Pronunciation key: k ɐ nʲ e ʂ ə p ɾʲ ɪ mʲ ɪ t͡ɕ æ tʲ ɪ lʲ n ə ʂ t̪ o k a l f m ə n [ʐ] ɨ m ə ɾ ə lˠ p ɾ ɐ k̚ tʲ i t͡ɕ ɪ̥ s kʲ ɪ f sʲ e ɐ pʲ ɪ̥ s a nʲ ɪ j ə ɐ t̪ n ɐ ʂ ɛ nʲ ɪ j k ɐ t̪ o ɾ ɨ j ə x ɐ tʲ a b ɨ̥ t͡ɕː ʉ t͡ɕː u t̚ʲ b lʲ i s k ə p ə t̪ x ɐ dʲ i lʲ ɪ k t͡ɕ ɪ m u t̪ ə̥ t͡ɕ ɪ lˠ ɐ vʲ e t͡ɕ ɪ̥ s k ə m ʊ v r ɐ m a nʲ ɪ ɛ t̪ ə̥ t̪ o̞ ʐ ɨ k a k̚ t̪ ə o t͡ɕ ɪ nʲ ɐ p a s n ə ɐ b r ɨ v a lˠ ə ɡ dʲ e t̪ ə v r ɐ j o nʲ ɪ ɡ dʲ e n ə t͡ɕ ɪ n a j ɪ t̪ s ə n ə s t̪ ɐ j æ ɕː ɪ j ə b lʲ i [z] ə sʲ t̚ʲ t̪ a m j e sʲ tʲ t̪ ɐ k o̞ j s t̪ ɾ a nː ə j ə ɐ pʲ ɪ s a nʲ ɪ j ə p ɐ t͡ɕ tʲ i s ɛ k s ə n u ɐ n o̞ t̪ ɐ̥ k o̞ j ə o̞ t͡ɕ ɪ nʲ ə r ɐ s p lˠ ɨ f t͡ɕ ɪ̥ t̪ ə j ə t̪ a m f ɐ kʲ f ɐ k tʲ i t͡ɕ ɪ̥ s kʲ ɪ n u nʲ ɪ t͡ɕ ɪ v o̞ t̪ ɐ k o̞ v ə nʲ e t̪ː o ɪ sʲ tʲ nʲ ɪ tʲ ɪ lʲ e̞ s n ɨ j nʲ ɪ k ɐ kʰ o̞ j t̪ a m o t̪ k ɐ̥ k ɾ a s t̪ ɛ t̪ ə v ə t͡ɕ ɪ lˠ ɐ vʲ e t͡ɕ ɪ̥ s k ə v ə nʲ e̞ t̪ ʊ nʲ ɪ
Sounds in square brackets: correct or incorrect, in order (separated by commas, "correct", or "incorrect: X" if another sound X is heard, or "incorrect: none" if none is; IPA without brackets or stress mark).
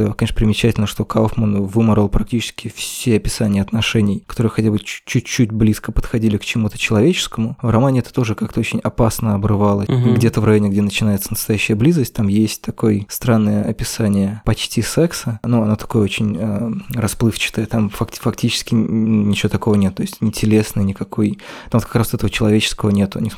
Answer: incorrect: v, correct